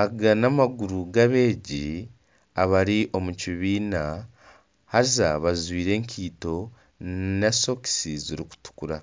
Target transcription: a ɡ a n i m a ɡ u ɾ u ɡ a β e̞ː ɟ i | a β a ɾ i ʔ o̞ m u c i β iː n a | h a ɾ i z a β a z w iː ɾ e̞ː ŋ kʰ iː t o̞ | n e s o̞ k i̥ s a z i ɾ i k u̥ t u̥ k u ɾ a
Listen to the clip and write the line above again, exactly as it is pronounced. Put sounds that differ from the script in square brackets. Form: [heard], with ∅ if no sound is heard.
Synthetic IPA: a ɡ a n [a] m a ɡ u ɾ u ɡ a β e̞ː ɟ i | a β a ɾ i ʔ o̞ m u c i β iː n a | h a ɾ i z a β a z w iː ɾ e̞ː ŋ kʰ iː t o̞ | n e s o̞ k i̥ s [i] z i ɾ i k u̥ t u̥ k u ɾ a